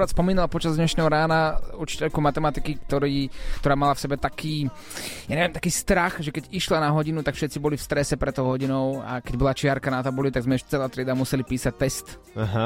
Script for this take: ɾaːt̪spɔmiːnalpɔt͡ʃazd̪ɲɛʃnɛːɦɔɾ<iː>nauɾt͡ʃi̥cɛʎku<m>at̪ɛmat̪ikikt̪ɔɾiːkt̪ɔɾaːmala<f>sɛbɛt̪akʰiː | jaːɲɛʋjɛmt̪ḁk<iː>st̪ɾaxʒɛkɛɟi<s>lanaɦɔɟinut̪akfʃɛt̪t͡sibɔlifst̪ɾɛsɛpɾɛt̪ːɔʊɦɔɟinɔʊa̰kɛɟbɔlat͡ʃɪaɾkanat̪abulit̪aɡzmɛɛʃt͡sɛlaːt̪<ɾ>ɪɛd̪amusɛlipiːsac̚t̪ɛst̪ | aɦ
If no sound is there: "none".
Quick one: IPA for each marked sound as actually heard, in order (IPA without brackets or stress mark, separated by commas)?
aː, m, f, iː, ʃ, ɾ